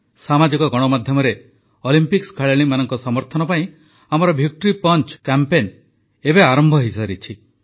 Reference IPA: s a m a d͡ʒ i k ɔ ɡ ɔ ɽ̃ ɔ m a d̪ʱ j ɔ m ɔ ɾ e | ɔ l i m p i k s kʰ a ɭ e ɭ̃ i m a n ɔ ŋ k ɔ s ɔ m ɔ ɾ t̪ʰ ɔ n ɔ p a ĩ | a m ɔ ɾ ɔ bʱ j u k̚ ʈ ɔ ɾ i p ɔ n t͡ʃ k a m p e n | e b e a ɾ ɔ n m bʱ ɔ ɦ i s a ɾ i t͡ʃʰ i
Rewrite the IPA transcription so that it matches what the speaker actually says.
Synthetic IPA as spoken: s a m a d͡ʒ i k ɔ ɡ ɔ ɽ̃ ɔ m a d̪ʱ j ɔ m ɔ ɾ e | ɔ l i m p i k s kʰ a ɭ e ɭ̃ i m a n ɔ ŋ k ɔ s ɔ m ɔ ɾ t̪ʰ ɔ n ɔ p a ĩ | a m ɔ ɾ ɔ bʱ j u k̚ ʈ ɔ ɾ i p ɔ n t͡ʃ k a m p e n | e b e a ɾ ɔ m bʱ ɔ ɦ i s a ɾ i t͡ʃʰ i